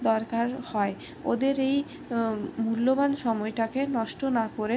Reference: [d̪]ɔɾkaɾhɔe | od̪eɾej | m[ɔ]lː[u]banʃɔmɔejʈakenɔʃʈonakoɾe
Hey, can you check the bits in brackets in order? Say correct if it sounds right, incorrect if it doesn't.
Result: correct, incorrect: u, incorrect: o

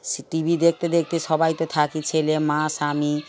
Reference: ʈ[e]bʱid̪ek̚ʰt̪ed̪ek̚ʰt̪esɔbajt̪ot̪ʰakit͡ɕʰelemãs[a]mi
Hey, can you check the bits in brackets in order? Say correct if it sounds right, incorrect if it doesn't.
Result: incorrect: i, correct

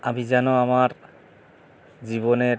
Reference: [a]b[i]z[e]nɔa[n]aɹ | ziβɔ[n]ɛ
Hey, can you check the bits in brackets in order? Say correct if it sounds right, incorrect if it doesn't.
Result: correct, correct, incorrect: a, incorrect: m, correct

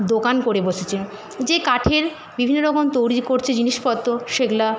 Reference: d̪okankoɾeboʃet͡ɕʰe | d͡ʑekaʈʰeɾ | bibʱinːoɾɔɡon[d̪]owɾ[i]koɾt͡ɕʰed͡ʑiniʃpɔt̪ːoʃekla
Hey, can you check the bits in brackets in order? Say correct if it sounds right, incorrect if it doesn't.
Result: incorrect: t̪, correct

